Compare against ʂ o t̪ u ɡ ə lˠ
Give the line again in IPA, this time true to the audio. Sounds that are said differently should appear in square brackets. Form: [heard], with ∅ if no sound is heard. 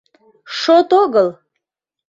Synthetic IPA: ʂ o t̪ [o] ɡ ə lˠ